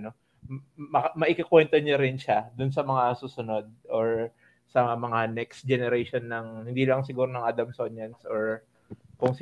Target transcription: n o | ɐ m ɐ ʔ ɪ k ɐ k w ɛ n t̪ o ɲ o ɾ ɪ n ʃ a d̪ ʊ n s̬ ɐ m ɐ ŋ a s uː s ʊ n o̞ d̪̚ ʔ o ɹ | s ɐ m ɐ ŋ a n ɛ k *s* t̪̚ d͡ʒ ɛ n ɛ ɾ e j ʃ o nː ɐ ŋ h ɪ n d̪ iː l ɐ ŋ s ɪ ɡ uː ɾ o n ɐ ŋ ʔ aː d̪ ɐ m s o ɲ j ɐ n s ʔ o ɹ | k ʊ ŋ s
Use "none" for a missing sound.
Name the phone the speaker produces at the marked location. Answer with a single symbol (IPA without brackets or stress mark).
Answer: s